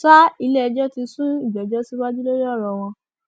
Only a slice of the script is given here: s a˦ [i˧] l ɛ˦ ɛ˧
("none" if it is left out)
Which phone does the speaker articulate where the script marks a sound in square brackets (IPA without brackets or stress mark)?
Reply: i˧